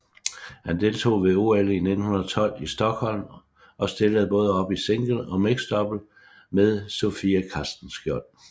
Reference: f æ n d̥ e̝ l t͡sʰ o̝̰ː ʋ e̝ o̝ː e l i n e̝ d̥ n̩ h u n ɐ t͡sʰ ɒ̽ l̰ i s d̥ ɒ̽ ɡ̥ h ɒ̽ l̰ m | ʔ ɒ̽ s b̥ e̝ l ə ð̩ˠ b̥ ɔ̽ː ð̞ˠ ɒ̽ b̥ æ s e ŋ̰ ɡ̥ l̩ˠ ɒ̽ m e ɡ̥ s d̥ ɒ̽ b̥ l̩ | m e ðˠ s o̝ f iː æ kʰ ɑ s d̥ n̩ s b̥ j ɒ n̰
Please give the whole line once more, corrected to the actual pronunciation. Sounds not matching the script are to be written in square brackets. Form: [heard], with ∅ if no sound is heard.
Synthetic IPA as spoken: [h] æ n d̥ e̝ l t͡sʰ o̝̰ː ʋ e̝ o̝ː e l i n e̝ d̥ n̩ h u n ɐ t͡sʰ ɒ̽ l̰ i s d̥ ɒ̽ ɡ̥ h ɒ̽ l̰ m | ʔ ɒ̽ s [d̥] e̝ l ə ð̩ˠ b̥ ɔ̽ː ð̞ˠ ɒ̽ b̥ [i] s e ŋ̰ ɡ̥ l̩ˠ ɒ̽ m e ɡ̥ s d̥ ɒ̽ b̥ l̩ | m e ðˠ s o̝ f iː æ kʰ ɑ s d̥ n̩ s [ɡ̥] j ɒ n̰